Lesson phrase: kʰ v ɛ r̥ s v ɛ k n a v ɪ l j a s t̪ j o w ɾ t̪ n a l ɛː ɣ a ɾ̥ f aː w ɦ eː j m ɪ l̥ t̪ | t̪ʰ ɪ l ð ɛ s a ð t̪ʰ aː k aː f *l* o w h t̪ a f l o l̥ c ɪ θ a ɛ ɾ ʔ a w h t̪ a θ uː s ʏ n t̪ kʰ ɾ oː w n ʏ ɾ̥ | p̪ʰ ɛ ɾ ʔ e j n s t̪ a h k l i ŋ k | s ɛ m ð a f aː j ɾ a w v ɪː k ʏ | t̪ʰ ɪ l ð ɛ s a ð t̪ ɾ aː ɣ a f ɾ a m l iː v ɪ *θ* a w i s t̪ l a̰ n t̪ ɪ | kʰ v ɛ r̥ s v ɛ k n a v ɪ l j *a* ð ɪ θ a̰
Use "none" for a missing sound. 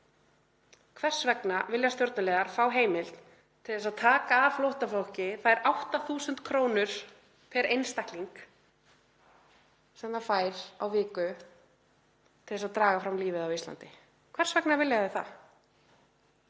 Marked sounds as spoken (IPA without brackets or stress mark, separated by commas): l, ð, a